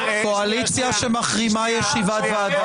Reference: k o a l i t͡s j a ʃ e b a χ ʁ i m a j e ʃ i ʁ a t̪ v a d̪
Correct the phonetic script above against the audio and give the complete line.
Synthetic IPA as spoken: k o a l i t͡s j a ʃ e m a χ ʁ i m a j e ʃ i v a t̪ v a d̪